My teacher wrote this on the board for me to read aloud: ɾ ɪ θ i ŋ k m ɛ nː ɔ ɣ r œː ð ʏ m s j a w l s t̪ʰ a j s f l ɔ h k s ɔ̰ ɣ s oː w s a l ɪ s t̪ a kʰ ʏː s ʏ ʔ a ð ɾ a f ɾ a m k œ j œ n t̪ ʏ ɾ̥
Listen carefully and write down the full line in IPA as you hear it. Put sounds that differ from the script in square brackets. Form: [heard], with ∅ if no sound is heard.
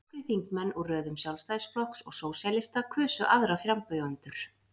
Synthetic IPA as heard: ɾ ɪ θ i ŋ k m ɛ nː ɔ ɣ r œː ð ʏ m s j a w l s [t̪] a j s f l ɔ h k s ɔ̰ ɣ s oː w s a l ɪ s t̪ a kʰ ʏː s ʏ ʔ a ð ɾ a f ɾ a m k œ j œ n t̪ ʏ ɾ̥